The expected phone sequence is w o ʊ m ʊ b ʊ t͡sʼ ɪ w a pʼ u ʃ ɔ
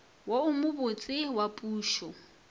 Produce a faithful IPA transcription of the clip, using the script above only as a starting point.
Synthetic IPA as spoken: w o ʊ m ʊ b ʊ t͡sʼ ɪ w a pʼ uː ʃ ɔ